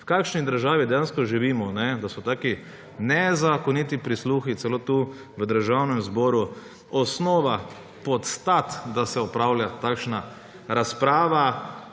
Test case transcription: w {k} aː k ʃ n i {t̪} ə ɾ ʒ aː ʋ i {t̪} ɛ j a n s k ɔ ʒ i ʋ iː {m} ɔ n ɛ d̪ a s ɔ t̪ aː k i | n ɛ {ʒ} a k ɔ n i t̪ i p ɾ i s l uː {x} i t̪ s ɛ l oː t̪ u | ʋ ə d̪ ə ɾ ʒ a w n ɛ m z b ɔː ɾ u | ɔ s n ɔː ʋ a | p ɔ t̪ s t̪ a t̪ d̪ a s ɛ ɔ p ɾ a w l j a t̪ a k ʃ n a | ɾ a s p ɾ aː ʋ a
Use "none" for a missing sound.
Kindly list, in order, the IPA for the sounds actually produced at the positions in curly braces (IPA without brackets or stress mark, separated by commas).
k, d̪, d̪, m, z, x